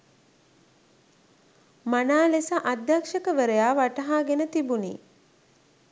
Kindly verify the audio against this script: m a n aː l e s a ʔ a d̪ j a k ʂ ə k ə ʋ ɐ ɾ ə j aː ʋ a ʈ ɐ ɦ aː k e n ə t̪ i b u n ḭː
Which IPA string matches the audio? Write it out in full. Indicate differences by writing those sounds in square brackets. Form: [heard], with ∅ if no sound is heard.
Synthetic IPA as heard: m a n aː l e s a ʔ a d̪ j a k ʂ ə k ə ʋ [ə] ɾ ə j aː ʋ a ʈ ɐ ɦ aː [ɡ] e n ə t̪ i b u n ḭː